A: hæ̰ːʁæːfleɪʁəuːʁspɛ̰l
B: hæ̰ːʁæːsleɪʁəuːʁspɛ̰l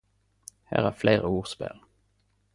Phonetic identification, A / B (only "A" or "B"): A